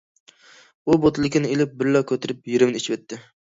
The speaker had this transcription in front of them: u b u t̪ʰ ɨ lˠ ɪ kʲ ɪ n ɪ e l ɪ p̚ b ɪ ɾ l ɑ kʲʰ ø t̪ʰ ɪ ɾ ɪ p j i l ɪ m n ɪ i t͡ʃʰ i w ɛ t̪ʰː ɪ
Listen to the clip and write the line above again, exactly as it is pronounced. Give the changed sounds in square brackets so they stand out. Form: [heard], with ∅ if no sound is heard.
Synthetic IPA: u b [o] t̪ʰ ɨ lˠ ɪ kʲ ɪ n ɪ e l ɪ p̚ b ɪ ɾ l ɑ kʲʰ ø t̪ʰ ɪ ɾ ɪ p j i [ɾ] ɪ m n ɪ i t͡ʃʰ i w ɛ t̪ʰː ɪ